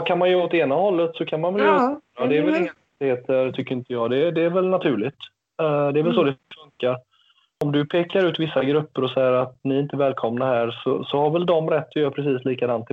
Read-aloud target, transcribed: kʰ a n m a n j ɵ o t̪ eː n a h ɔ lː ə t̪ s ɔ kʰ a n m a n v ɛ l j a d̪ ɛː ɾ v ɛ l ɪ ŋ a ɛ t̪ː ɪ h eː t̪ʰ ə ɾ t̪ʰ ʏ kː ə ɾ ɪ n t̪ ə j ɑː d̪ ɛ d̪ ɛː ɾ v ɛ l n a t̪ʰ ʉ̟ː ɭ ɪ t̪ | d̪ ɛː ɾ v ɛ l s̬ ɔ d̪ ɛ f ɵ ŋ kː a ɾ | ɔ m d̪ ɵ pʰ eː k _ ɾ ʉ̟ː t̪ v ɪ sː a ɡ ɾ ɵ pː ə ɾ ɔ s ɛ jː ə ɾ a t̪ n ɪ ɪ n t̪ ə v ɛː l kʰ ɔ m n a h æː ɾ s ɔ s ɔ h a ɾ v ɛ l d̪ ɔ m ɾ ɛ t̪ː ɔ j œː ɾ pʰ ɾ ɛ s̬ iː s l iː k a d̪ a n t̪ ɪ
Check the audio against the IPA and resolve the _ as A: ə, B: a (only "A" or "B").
B